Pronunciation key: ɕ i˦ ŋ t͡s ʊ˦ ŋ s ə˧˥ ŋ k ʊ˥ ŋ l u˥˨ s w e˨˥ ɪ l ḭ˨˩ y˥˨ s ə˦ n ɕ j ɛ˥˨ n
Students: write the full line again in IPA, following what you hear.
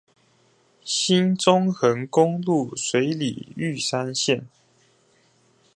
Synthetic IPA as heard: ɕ i˦ n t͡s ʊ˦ ŋ x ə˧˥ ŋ k ʊ˥ ŋ l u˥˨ s w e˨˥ ɪ l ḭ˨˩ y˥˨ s a˦ n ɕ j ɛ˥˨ n